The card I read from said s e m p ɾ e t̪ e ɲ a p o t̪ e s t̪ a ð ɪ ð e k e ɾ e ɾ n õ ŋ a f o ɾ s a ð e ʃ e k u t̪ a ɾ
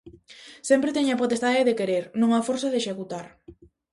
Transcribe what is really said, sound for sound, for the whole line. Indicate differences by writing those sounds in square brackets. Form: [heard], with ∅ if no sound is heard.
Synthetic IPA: s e m p ɾ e t̪ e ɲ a p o t̪ e s t̪ a ð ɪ ð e k e ɾ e ɾ n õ ŋ a f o ɾ s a ð e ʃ e k u t̪ a ɾ